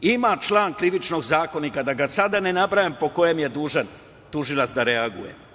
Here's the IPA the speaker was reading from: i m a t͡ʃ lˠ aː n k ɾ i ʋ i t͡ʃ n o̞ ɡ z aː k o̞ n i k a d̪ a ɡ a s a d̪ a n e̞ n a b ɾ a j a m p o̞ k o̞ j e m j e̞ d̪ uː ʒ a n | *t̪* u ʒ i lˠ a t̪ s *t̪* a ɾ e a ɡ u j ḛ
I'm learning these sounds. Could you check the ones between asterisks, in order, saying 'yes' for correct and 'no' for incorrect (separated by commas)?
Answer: yes, no